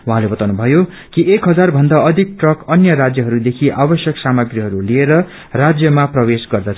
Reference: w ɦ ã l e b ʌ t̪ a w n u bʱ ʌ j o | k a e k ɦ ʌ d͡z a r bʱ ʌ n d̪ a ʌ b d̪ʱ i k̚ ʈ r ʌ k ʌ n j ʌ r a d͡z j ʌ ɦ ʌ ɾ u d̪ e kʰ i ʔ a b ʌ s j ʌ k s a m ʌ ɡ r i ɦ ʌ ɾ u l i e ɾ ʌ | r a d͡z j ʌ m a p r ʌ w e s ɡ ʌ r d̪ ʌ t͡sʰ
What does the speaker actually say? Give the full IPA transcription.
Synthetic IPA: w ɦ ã l e b ʌ t̪ a w n u bʱ ʌ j o | k i e k ɦ ʌ d͡z a r bʱ ʌ n d̪ a ʌ d̪ʱ i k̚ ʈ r ʌ k ʌ n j ʌ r a d͡z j ʌ ɦ ʌ ɾ u d̪ e kʰ i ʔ a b ʌ s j ʌ k s a m ʌ ɡ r i ɦ ʌ ɾ u l i e ɾ ʌ | r a d͡z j ʌ m a p r ʌ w e s ɡ ʌ r d̪ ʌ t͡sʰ

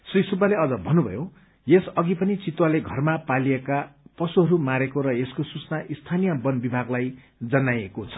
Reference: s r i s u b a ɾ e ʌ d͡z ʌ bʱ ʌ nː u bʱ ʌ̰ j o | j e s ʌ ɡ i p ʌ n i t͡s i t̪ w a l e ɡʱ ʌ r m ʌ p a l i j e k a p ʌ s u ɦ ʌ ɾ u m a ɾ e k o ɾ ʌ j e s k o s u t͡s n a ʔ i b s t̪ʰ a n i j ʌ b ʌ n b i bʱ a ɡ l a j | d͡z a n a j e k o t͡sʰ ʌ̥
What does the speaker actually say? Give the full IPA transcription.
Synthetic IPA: s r i s u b a l e ʌ d͡z ʌ bʱ ʌ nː u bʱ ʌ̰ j o | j e s ʌ ɡ i p ʌ n i t͡s i t̪ w a l e ɡʱ ʌ r m a p a l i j e k a p ʌ s u ɦ ʌ ɾ u m a ɾ e k o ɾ ʌ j e s k o s u t͡s n a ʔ i s t̪ʰ a n i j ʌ b ʌ n b i bʱ a ɡ l a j | d͡z ʌ n a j e k o t͡sʰ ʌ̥

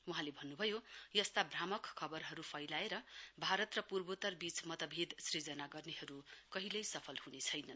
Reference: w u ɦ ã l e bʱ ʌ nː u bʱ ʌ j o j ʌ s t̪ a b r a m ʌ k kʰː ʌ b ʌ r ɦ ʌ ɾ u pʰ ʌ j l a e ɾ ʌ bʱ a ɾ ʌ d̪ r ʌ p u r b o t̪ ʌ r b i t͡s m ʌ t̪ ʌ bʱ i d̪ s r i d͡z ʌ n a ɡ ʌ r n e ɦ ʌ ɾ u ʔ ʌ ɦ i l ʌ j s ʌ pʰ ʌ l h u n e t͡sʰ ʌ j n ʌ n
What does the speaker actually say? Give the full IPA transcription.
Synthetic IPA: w u ɦ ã l e bʱ ʌ nː u bʱ ʌ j o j ʌ s t̪ a b r a m ʌ k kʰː ʌ b ʌ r ɦ ʌ ɾ u pʰ ʌ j l a e ɾ ʌ bʱ a ɾ ʌ t̪ r ʌ p u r b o t̪ ʌ r b i t͡s m ʌ t̪ ʌ bʱ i d̪ s r i d͡z ʌ n a ɡ ʌ r n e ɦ ʌ ɾ u k ʌ ɦ i l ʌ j s ʌ pʰ ʌ l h u n e t͡sʰ ʌ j n ʌ n

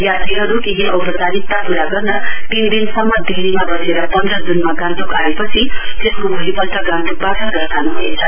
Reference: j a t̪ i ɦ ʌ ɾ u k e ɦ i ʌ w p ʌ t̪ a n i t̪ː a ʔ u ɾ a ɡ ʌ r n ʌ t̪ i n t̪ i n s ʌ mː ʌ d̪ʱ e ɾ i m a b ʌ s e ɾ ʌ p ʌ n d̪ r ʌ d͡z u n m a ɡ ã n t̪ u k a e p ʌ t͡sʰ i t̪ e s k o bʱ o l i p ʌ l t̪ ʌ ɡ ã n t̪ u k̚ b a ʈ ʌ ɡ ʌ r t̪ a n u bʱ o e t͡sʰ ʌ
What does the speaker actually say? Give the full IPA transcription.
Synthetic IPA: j a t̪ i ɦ ʌ ɾ u k e ɦ i ʌ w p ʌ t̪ a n i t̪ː a p u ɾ a ɡ ʌ r n ʌ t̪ i n d̪ i n s ʌ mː ʌ d̪ʱ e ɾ i m a b ʌ s e ɾ ʌ p ʌ n d̪ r ʌ d͡z u n m a ɡ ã n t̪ u k a e p ʌ t͡sʰ i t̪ e s k o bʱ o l i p ʌ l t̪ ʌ ɡ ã n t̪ u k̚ b a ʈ ʌ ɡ ʌ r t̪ a n u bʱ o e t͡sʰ ʌ

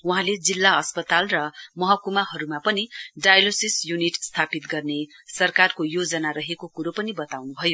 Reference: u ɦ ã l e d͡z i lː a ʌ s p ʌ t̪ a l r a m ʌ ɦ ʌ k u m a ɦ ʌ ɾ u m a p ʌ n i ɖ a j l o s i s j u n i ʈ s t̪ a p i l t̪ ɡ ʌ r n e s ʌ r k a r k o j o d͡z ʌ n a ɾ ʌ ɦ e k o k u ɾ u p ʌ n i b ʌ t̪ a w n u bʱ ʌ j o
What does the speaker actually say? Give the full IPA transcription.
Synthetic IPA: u ɦ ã l e d͡z i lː a ʌ s p ʌ t̪ a l r ʌ m ʌ ɦ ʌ k u m a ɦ ʌ ɾ u m a p ʌ n i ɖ a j l o s i s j u n i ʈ s t̪ʰ a p i t̪ ɡ ʌ r n e s ʌ r k a r k o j o d͡z ʌ n a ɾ ʌ ɦ e k o k u ɾ o p ʌ n i b ʌ t̪ a w n u bʱ ʌ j o

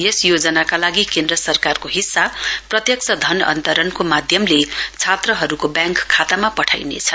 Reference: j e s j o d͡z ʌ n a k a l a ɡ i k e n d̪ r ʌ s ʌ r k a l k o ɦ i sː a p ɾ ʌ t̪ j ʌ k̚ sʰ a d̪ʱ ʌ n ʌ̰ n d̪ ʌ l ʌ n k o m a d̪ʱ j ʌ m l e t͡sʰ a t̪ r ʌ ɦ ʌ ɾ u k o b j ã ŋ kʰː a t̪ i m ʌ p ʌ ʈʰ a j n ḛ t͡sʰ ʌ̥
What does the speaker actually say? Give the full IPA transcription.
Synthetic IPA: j e s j o d͡z ʌ n a k a l a ɡ i k e n d̪ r ʌ s ʌ r k a r k o ɦ i sː a p r ʌ t̪ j ʌ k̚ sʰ ʌ d̪ʱ ʌ n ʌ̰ n t̪ ʌ ɾ ʌ n k o m a d̪ʱ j ʌ m l e t͡sʰ a t̪ r ʌ ɦ ʌ ɾ u k o b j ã ŋ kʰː a t̪ a m a p ʌ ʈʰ a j n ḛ t͡sʰ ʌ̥

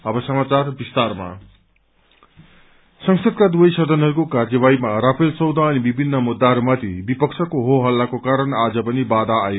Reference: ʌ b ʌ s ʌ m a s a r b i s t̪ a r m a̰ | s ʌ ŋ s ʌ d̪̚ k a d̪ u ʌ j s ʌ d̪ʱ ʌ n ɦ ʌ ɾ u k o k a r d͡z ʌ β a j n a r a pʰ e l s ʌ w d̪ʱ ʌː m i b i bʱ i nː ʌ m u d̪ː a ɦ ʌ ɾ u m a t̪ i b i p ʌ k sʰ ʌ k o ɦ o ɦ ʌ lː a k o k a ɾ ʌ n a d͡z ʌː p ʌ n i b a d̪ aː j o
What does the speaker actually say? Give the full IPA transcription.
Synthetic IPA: ʌ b ʌ s ʌ m a t͡s a r b i s t̪ a r m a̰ | s ʌ ŋ s ʌ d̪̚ k a d̪ u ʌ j s ʌ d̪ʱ ʌ n ɦ ʌ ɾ u k o k a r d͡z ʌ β a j m a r a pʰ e l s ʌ w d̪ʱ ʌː n i b i bʱ i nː ʌ m u d̪ː a ɦ ʌ ɾ u m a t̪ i b i p ʌ k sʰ ʌ k o ɦ o ɦ ʌ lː a k o k a ɾ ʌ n a d͡z ʌ p ʌ n i b a d̪ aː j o

